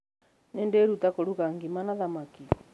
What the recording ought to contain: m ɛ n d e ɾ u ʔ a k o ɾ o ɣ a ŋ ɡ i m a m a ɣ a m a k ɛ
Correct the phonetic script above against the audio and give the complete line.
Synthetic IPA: n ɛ n d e ɾ u t a k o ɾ u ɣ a ŋ ɡ i m a n a ð a m a k i